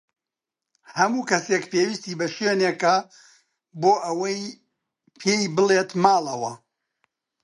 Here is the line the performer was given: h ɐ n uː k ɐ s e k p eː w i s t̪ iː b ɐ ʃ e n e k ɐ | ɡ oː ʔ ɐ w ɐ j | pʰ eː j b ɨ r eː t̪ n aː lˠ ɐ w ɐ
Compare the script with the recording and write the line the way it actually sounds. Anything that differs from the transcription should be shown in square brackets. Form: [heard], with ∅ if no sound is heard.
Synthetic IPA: h ɐ [m] uː k ɐ s e k p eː w i s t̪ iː b ɐ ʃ e n e k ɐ | [b] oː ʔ ɐ w ɐ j | pʰ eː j b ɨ [l] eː t̪ [m] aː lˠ ɐ w ɐ